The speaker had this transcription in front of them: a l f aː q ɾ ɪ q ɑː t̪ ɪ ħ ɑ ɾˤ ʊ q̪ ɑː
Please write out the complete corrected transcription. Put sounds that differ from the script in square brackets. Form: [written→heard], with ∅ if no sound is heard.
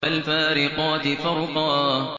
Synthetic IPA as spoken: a l f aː [q→∅] ɾ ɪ q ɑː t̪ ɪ [ħ→f] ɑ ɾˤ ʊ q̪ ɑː